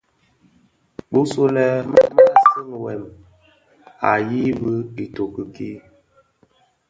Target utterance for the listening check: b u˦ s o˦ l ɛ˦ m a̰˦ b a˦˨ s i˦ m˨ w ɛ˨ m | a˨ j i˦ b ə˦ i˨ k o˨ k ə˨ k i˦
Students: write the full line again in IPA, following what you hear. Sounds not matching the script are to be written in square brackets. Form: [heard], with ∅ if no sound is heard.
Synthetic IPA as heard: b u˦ s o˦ l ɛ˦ m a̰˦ [m] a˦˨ s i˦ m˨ w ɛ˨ m | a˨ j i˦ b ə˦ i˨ [t] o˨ k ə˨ k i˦